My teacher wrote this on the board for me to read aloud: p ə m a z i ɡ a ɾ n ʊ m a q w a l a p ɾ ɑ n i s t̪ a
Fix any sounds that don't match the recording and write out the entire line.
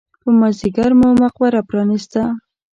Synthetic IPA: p ə m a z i ɡ a ɾ m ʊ m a q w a ɾ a p ɾ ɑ n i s t̪ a